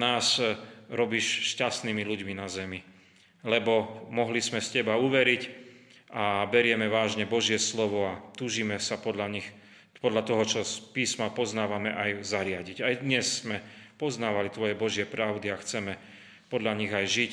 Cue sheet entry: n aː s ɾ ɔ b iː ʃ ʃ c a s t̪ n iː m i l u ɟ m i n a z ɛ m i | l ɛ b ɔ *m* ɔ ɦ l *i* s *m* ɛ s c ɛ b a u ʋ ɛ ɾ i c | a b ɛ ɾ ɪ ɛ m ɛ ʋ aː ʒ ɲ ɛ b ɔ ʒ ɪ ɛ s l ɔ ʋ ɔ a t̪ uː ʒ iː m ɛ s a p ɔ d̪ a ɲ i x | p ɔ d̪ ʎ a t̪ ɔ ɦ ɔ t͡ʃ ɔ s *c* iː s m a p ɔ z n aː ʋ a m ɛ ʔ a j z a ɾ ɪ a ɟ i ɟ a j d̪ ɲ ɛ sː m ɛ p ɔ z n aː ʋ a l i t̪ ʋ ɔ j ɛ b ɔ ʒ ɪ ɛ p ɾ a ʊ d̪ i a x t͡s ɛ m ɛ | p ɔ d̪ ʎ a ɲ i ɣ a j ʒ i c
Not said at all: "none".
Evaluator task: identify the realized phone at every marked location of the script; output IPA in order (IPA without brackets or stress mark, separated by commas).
m, i, m, p